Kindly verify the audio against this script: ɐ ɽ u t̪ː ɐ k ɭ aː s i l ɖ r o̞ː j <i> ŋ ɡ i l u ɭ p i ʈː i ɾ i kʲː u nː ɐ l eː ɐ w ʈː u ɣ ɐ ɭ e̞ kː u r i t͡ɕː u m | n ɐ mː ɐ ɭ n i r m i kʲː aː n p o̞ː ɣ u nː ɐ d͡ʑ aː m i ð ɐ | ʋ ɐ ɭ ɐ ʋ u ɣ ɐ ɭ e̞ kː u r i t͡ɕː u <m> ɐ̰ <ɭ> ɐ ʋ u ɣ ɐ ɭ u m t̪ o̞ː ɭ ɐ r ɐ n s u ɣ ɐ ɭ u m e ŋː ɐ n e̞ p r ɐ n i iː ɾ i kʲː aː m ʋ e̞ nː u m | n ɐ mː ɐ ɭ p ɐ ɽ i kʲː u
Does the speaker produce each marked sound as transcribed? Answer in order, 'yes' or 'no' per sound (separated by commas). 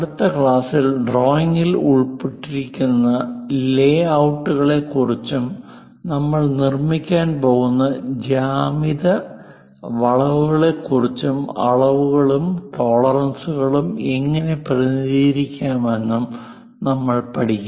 yes, yes, yes